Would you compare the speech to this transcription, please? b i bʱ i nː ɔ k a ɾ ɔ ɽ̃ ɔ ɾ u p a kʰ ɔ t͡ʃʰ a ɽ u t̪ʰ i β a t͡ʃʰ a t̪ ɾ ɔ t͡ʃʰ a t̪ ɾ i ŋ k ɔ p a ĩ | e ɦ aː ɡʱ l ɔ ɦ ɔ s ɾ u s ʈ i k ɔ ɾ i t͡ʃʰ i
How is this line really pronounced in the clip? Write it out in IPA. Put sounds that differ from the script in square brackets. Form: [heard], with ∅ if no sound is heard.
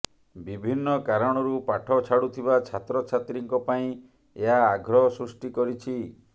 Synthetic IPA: b i bʱ i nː ɔ k a ɾ ɔ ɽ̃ ɔ ɾ u p a [ʈʰ] ɔ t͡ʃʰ a ɽ u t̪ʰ i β a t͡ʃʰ a t̪ ɾ ɔ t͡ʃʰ a t̪ ɾ i ŋ k ɔ p a ĩ | e ɦ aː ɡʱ [ɾ] ɔ ɦ ɔ s ɾ u s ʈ i k ɔ ɾ i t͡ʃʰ i